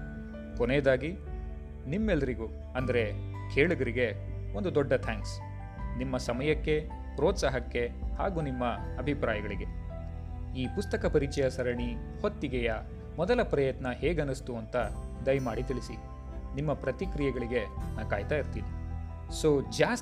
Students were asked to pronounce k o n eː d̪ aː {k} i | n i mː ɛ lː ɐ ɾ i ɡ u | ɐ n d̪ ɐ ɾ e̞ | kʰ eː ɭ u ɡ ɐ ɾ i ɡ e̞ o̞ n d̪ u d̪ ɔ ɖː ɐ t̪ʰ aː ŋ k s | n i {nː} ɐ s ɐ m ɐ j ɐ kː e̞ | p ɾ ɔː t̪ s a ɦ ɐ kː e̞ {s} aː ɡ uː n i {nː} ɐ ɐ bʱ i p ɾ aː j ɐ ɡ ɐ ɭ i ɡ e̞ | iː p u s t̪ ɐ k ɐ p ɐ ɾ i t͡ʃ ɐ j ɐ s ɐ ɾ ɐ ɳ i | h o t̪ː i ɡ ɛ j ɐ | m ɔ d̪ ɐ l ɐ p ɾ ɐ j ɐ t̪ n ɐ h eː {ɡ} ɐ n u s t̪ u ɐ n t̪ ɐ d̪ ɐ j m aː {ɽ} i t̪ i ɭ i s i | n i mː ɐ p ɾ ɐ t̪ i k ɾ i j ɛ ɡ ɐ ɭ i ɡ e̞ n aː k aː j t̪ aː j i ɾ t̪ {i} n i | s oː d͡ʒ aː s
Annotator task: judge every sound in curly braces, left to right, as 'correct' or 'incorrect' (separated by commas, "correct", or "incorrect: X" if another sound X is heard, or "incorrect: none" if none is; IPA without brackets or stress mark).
incorrect: ɡ, incorrect: mː, incorrect: h, incorrect: mː, correct, correct, incorrect: iː